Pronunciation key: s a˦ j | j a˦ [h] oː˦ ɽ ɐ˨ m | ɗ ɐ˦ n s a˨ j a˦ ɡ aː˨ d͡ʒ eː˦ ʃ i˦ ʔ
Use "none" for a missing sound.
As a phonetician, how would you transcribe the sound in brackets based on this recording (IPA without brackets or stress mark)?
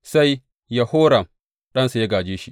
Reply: h